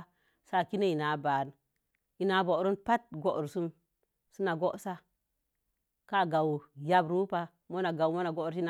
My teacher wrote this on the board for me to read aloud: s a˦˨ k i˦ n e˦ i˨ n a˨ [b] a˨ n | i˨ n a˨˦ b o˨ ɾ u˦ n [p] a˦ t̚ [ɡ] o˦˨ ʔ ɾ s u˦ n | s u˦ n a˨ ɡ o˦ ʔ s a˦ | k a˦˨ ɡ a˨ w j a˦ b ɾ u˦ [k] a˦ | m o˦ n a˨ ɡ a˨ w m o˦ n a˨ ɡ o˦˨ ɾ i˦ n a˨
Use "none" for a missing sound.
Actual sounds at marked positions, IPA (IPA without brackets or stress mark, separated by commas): b, p, ɡ, p